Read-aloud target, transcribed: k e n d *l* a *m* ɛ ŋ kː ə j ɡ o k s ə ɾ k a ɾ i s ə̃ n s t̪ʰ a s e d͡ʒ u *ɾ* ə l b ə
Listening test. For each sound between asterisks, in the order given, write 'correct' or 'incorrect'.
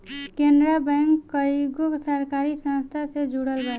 incorrect, incorrect, incorrect

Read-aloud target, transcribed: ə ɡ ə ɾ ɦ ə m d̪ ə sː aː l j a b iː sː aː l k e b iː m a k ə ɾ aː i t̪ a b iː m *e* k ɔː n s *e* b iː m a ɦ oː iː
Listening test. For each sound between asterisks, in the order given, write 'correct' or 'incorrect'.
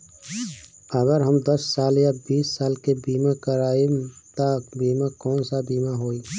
incorrect, incorrect

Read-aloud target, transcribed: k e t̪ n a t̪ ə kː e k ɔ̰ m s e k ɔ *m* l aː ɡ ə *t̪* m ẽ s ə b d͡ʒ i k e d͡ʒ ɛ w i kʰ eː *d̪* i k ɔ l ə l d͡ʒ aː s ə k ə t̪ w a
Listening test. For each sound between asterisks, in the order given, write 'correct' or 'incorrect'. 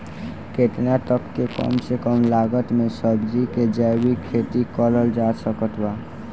correct, correct, incorrect

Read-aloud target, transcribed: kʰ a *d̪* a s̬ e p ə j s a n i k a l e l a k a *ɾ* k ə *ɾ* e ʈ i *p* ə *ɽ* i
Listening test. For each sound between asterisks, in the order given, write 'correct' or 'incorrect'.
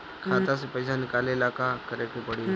incorrect, incorrect, correct, correct, correct

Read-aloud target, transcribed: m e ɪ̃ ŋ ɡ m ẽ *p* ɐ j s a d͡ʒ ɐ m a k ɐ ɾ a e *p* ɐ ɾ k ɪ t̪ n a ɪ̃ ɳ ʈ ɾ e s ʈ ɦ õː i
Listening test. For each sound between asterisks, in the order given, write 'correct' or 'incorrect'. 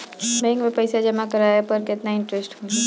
correct, correct

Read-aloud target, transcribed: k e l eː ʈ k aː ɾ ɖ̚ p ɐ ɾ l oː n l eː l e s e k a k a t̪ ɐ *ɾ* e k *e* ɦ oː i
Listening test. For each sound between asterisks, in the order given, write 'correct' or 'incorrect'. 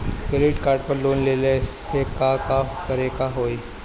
correct, incorrect

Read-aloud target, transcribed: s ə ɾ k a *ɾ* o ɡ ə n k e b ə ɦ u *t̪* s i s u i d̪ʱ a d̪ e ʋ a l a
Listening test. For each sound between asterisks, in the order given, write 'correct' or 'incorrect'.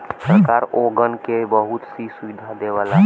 correct, correct

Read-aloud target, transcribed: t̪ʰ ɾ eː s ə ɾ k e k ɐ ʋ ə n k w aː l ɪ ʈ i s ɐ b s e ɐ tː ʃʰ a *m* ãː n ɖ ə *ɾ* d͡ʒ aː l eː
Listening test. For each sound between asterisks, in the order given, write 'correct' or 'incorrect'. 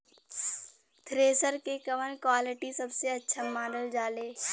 correct, incorrect

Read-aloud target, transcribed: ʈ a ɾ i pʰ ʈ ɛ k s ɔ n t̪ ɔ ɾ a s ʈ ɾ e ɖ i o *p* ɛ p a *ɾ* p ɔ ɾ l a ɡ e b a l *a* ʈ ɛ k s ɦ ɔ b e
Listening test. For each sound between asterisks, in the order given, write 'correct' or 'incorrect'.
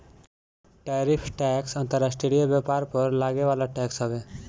incorrect, correct, correct

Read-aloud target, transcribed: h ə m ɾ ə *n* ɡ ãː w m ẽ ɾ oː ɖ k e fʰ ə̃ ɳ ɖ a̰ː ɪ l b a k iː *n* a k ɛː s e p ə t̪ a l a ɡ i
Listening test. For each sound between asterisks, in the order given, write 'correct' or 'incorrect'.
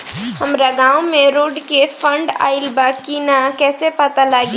incorrect, correct

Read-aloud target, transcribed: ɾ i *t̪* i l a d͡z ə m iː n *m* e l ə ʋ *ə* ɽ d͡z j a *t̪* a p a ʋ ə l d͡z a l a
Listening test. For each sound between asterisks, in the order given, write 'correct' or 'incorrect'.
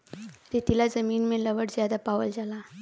correct, correct, correct, incorrect

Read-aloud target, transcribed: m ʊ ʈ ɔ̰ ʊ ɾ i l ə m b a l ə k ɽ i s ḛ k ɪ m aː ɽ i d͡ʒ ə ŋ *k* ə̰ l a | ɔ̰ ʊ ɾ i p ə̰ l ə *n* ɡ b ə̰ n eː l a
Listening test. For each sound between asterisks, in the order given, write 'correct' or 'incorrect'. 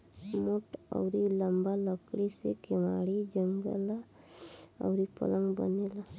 incorrect, incorrect

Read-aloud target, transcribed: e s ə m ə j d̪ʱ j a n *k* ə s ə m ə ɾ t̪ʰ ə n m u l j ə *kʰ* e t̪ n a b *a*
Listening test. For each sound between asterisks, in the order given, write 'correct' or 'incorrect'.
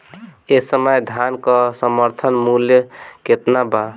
correct, incorrect, correct

